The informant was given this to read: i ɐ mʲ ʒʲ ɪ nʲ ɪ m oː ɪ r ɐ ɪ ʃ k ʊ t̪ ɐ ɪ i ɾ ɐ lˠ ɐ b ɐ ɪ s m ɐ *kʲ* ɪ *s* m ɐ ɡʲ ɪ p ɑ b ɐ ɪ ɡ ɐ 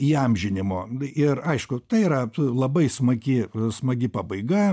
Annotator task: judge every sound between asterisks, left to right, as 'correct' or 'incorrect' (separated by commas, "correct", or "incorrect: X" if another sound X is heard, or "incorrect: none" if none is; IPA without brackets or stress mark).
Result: incorrect: ɡʲ, correct